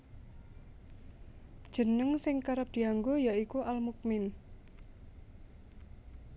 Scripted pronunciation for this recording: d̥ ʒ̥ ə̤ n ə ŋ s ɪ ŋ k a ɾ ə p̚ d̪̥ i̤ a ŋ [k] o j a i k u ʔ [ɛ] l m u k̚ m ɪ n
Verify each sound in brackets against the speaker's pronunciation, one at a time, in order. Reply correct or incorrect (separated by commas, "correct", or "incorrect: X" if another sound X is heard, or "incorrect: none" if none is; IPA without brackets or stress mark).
incorrect: ɡ, incorrect: a